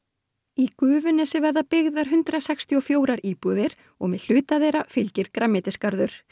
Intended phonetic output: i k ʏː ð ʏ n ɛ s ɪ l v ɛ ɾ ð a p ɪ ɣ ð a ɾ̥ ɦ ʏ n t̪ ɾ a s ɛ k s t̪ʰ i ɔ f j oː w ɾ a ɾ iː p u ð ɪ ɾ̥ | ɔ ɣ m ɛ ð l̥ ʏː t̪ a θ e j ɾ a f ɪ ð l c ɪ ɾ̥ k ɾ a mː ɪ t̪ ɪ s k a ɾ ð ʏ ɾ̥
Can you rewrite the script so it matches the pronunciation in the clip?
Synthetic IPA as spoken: i k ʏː v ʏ n ɛ s ɪ v ɛ ɾ ð a p ɪ ɣ ð a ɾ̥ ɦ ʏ n t̪ ɾ a s ɛ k s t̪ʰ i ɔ f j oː w ɾ a ɾ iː p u ð ɪ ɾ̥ | ɔ ɣ m ɛ ð l̥ ʏː t̪ a ð e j ɾ a f ɪ l c ɪ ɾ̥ k ɾ a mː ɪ t̪ ɪ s k a ɾ ð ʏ ɾ̥